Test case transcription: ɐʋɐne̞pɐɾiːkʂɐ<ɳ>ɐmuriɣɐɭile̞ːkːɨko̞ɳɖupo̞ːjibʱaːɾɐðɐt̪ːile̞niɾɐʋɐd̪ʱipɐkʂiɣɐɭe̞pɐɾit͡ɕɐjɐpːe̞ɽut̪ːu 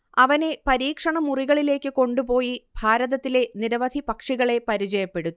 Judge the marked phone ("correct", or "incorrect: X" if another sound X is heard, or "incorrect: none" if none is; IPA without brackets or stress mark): correct